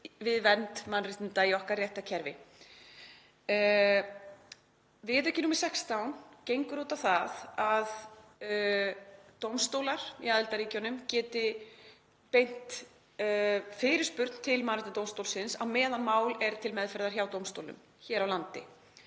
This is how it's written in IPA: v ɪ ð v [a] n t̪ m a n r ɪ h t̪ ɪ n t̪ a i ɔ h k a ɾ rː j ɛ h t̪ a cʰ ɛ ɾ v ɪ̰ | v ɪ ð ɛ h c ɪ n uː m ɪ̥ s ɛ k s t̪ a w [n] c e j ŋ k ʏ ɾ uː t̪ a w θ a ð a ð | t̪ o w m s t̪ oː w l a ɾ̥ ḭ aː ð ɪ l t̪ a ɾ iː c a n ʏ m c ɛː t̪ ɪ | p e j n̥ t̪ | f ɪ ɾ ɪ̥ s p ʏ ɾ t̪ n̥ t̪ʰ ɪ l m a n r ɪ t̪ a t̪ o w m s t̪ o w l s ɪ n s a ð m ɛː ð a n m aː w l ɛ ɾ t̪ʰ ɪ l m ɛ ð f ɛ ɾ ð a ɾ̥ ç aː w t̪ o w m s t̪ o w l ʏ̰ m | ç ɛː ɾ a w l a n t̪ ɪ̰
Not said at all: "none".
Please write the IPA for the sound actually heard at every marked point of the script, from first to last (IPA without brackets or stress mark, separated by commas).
ɛ, n